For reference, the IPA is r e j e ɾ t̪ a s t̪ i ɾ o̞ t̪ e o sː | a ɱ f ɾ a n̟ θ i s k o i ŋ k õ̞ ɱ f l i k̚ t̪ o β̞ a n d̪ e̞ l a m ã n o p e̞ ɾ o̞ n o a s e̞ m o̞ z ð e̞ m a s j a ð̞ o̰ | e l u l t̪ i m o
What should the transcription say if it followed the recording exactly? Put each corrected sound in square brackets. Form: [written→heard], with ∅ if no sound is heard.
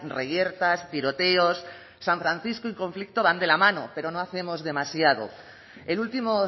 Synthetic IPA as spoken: r e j e ɾ t̪ a s t̪ i ɾ o̞ t̪ e o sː | a ɱ f ɾ a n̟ θ i s k o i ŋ k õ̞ ɱ f l i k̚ t̪ o β̞ a n d̪ e̞ l a m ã n o p e̞ ɾ o̞ n o a [s→θ] e̞ m o̞ z ð e̞ m a s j a ð̞ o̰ | e l u l t̪ i m o